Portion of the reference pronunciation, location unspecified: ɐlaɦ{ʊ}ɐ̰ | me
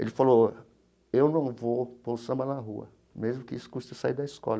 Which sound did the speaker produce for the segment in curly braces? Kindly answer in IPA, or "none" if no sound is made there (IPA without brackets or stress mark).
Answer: u